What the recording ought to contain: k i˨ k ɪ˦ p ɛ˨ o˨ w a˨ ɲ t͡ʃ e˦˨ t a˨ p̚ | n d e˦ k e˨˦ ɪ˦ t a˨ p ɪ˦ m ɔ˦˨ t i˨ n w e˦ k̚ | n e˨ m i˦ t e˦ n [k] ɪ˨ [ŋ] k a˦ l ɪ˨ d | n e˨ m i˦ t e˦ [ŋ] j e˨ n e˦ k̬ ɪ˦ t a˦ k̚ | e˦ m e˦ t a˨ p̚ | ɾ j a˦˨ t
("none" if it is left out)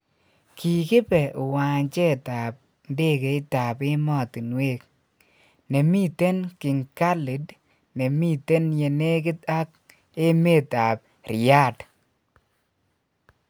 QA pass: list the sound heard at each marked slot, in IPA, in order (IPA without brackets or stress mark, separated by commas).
k, ŋ, n